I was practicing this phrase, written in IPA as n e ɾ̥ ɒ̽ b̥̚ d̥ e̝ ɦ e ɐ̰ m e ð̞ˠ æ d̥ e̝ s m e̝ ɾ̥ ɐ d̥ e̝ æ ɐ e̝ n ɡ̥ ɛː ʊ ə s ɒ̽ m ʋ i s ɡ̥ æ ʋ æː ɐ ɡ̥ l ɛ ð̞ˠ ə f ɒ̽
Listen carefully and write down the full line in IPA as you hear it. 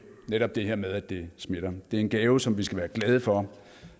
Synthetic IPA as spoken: n e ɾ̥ ɒ̽ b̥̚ d̥ e̝ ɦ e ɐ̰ m e ð̞ˠ æ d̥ e̝ s m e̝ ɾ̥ ɐ d̥ e̝ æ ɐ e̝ n ɡ̥ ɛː ʊ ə s ɒ̽ m ʋ i s ɡ̥ æ ʋ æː ɐ ɡ̥ l ɛ ð̞ˠ ə f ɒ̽